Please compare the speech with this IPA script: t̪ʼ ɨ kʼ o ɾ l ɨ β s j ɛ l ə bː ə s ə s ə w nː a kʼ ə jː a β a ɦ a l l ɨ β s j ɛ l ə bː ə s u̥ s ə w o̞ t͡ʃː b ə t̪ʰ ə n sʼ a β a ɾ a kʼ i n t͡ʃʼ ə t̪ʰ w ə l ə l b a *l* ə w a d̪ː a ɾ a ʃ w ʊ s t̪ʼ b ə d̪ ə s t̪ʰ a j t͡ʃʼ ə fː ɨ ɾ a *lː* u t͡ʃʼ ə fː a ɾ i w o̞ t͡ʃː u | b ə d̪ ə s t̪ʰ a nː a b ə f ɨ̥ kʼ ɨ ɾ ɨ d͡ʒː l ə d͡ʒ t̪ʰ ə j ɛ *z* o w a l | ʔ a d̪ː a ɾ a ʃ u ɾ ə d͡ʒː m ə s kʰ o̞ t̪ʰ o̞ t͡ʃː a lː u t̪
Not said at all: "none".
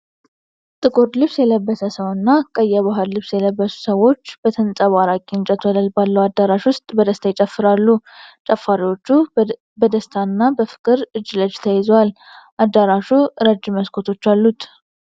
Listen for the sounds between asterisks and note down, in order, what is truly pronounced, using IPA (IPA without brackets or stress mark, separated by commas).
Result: lː, lː, z